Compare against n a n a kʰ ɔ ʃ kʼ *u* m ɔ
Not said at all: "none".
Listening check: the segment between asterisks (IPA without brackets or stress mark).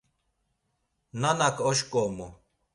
ɔ